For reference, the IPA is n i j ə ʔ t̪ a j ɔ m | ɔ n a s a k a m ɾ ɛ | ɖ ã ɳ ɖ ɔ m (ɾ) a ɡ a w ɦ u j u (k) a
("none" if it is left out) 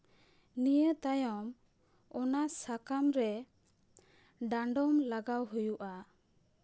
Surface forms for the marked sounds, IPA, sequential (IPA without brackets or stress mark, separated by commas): l, ʔ